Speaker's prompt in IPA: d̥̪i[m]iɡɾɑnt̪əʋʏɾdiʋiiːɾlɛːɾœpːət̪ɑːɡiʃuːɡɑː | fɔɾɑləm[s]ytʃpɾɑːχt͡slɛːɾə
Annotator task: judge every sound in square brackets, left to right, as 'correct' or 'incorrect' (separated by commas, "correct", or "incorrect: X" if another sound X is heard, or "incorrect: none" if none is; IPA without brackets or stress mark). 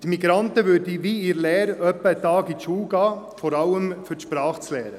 correct, incorrect: f